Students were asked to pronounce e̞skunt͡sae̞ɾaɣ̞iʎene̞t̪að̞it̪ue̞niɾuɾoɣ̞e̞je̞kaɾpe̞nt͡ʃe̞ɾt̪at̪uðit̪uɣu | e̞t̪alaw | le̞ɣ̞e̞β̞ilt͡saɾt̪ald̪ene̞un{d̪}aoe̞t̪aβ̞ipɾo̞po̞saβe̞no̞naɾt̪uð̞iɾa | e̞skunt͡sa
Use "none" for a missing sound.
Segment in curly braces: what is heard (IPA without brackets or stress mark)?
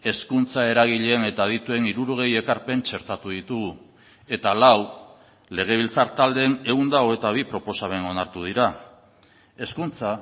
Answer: d̪